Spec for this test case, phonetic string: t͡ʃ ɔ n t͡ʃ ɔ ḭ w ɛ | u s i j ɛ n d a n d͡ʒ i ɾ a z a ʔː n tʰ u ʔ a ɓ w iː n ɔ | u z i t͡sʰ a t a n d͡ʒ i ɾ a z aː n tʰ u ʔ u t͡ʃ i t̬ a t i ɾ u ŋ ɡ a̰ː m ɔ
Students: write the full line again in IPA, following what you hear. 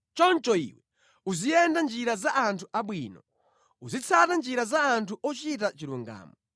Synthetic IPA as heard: t͡ʃ ɔ n t͡ʃ ɔ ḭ w ɛ | u z i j ɛ n d a n d͡ʒ i ɾ a z a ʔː n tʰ u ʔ a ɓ w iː n ɔ | u z i t͡sʰ a t a n d͡ʒ i ɾ a z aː n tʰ u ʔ ɔ t͡ʃ i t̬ a t͡ʃ i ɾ u ŋ ɡ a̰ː m ɔ